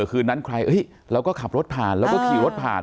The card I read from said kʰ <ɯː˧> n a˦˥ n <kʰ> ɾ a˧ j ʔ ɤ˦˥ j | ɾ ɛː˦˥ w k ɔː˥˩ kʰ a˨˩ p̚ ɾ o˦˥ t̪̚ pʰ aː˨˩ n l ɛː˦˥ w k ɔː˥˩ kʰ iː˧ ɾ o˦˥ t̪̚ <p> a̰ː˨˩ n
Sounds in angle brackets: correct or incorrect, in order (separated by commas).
correct, correct, incorrect